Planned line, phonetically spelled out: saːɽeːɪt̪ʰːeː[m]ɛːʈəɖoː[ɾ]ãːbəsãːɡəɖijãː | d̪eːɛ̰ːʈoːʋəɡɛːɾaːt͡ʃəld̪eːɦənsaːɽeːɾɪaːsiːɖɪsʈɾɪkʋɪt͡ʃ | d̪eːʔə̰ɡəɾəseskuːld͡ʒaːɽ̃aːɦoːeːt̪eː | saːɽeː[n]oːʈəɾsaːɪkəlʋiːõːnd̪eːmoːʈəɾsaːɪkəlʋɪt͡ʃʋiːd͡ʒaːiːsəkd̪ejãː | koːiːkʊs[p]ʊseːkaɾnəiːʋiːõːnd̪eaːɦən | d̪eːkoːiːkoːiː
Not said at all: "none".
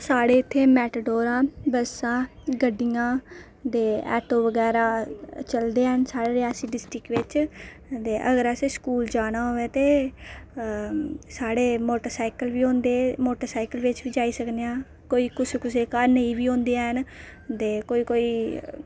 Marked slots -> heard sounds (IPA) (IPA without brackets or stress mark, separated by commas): m, ɾ, m, k